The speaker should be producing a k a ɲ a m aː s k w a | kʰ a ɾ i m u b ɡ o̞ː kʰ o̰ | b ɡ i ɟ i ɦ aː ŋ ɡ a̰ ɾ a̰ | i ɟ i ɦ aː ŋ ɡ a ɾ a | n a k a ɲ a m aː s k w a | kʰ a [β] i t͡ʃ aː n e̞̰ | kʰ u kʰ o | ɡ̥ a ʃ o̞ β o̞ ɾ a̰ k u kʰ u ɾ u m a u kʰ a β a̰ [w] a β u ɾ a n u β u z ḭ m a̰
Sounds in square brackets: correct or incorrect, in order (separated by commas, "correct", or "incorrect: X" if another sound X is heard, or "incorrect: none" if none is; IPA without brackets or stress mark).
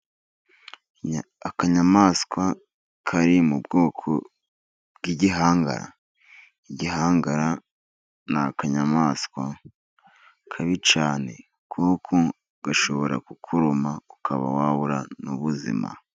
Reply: correct, correct